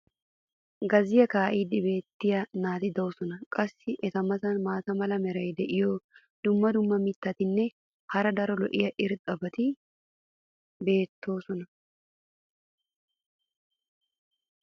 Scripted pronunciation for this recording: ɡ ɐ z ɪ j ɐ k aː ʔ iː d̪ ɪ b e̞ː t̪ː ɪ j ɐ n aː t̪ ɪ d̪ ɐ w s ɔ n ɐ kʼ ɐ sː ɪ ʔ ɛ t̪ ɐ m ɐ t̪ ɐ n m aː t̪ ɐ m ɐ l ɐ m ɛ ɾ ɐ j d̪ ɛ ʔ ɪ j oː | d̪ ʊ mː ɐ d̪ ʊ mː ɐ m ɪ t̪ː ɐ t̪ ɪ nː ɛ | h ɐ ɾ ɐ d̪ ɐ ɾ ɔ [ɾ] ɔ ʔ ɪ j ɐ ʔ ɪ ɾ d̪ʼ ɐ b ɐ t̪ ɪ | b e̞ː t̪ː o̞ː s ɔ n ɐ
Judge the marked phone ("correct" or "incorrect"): incorrect